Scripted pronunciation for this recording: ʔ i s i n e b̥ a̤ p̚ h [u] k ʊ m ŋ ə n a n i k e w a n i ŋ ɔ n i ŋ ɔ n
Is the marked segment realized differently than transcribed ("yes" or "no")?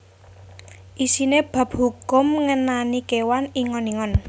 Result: no